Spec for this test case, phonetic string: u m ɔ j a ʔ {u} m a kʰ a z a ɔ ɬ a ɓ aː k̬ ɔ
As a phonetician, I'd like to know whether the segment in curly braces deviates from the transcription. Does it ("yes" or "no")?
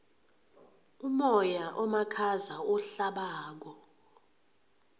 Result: yes